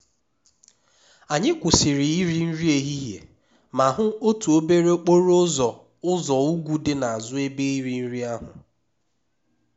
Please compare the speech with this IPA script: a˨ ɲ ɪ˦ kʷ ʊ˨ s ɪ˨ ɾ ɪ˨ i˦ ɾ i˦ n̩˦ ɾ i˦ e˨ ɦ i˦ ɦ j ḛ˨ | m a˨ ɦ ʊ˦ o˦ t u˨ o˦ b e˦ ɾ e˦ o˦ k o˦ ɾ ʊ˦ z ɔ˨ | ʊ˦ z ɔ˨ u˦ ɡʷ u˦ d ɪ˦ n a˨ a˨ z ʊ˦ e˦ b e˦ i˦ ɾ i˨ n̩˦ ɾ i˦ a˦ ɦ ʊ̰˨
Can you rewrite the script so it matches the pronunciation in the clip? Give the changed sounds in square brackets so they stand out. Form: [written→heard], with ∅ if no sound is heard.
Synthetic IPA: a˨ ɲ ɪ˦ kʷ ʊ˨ s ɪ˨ ɾ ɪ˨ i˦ ɾ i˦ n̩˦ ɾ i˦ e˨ ɦ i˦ ɦ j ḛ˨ | m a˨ ɦ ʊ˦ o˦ t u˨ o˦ b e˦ ɾ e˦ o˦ [k→k͡p] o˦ ɾ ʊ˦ z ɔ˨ | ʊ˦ z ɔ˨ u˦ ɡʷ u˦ d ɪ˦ n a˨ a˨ z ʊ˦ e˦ b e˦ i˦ ɾ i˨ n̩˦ ɾ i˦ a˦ ɦ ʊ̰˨